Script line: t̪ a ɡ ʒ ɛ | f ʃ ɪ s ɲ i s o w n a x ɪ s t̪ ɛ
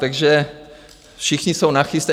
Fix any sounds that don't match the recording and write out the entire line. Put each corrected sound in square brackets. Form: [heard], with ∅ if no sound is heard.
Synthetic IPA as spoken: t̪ a ɡ ʒ ɛ | f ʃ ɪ [x] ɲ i s o w n a x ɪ s t̪ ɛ